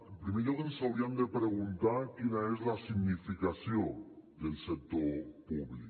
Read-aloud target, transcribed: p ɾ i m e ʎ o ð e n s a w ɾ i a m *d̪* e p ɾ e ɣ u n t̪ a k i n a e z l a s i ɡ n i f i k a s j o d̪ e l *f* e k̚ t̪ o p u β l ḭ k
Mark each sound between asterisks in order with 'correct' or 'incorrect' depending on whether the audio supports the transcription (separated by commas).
correct, incorrect